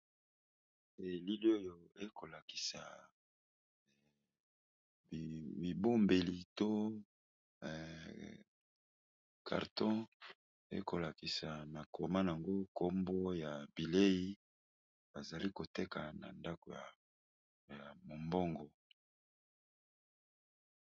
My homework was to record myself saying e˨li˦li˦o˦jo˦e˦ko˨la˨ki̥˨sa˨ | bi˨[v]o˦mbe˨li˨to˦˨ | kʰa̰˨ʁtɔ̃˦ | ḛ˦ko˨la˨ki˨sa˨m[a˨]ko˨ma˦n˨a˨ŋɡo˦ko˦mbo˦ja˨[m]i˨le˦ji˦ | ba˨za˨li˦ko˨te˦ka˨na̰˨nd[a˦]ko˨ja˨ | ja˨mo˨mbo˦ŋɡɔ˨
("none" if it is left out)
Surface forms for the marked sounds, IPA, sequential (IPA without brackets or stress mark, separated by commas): b, a˨, b, a˦